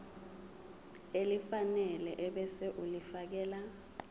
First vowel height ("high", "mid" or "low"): mid